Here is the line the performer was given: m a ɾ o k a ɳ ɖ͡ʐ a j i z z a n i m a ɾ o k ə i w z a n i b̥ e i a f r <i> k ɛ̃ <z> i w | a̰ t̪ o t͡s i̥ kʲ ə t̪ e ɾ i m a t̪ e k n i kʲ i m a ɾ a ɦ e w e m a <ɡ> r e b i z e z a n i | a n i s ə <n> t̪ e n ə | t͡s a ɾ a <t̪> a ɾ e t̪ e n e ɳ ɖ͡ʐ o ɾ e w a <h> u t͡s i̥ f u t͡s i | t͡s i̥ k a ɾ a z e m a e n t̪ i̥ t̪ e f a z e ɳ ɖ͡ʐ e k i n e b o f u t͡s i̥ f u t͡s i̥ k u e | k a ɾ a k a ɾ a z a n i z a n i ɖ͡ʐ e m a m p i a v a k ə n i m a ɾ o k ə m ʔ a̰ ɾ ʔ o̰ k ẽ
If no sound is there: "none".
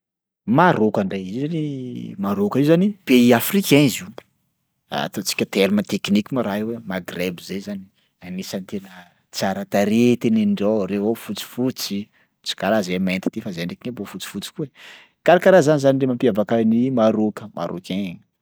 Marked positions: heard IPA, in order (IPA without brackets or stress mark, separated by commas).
i, z, ɡ, n, t̪, f